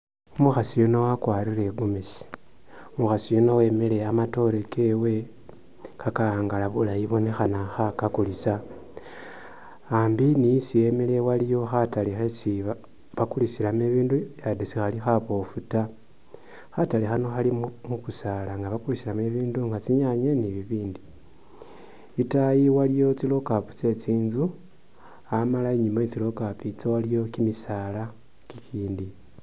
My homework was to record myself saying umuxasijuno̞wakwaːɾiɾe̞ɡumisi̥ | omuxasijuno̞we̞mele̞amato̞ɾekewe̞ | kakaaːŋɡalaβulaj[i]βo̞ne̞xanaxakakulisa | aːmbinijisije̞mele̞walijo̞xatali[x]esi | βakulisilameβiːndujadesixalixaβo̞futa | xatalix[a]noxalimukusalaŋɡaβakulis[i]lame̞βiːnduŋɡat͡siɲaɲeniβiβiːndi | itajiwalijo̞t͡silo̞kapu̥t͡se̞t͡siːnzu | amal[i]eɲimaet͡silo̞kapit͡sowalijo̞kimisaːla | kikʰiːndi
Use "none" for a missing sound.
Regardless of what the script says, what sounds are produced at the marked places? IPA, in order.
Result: i, x, a, i, a

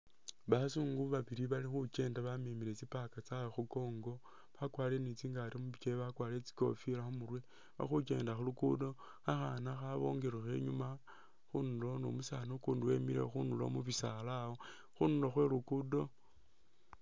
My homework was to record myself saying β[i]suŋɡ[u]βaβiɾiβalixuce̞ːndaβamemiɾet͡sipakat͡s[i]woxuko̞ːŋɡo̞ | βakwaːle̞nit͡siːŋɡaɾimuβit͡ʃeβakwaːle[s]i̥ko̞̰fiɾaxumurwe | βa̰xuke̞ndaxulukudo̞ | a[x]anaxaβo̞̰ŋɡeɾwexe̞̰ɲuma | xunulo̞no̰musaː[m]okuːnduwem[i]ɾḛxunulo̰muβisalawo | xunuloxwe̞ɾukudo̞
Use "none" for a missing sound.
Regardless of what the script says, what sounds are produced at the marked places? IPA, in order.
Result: a, u, a, t͡s, x, n, i

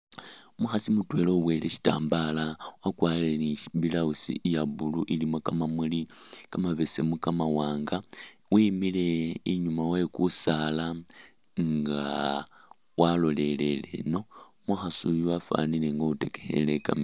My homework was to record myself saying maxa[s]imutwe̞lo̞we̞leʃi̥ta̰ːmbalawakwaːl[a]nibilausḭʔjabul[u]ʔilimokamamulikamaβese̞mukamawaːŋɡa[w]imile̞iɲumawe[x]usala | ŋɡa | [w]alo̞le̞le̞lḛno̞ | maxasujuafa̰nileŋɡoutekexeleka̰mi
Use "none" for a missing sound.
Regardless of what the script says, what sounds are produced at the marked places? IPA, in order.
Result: s, e, u, w, k, w

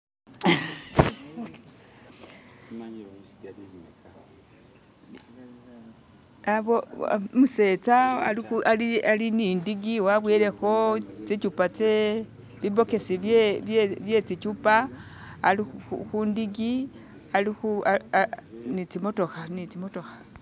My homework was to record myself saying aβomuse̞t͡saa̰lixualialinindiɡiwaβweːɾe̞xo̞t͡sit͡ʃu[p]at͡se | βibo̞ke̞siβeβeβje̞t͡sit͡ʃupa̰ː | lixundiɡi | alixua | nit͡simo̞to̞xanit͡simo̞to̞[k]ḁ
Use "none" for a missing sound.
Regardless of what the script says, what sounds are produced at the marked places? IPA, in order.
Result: p, x

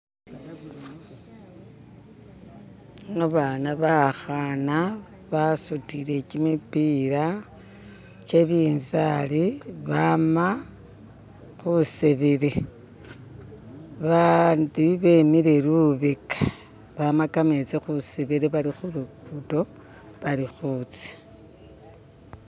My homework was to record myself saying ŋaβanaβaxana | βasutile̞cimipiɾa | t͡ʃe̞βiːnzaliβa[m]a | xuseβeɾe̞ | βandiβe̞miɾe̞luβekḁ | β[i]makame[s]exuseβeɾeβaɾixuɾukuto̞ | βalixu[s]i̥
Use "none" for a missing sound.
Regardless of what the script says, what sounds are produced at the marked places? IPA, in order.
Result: m, a, t͡s, t͡s

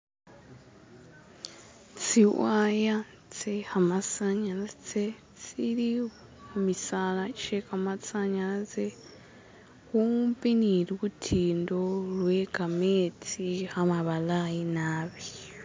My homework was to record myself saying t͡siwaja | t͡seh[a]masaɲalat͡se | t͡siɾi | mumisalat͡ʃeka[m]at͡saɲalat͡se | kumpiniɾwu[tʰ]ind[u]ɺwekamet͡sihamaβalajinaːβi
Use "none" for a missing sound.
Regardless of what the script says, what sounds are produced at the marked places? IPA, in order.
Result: a, m, tʰ, o

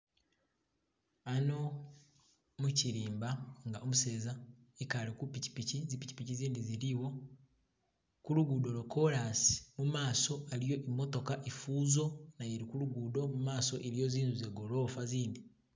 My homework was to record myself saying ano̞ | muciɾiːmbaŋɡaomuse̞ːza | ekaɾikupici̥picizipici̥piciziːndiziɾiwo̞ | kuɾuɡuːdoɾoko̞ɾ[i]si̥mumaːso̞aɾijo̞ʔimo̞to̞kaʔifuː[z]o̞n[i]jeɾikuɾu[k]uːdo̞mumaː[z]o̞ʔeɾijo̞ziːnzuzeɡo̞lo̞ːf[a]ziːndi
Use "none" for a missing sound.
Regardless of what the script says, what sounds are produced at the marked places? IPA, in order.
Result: a, z, a, ɡ, s, a

